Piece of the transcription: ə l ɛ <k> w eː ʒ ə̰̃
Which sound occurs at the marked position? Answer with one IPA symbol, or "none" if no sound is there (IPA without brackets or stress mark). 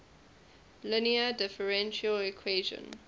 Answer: kʰ